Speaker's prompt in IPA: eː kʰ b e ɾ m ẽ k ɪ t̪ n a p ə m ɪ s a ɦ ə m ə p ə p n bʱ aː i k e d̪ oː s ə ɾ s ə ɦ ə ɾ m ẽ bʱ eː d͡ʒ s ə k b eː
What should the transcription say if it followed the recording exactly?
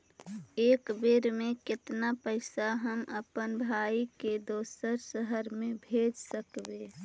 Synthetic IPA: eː k b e ɾ m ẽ k ɪ t̪ n a p ə ɪ s a ɦ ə m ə p ə n bʱ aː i k e d̪ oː s ə ɾ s ə ɦ ə ɾ m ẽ bʱ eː d͡ʒ s ə k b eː